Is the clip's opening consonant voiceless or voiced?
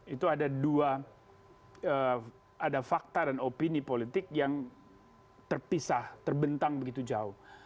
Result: voiceless